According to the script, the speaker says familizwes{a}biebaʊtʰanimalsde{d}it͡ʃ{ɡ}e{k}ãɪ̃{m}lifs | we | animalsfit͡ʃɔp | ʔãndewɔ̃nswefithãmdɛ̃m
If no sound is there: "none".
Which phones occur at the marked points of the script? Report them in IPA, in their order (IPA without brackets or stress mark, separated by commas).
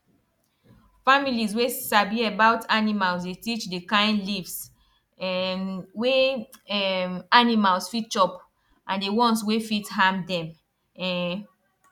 a, t, d, k, n